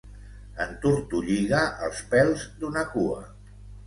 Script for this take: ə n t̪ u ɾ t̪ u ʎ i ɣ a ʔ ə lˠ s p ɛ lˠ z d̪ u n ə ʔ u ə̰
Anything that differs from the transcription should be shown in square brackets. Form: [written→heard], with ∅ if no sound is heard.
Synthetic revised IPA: ə n t̪ u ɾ t̪ u ʎ i ɣ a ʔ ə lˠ s p ɛ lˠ z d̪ u n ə [ʔ→k] u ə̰